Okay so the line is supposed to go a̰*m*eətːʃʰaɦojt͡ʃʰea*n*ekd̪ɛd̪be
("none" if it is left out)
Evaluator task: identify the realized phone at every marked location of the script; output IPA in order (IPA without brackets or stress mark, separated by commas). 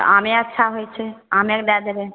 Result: m, m